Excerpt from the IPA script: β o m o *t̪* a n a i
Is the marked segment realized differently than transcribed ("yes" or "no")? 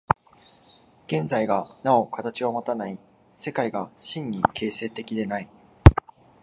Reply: no